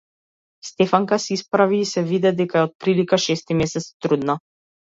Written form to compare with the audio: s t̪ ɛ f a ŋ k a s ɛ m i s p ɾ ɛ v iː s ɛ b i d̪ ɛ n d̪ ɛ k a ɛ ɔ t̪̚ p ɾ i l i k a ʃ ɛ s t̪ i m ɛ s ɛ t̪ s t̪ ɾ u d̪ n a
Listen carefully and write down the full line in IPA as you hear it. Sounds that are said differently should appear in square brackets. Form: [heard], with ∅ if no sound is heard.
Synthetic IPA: s t̪ ɛ f a ŋ k a s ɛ [∅] i s p ɾ [a] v iː s ɛ [v] i d̪ ɛ [∅] d̪ ɛ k a ɛ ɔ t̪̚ p ɾ i l i k a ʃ ɛ s t̪ i m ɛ s ɛ t̪ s t̪ ɾ u d̪ n a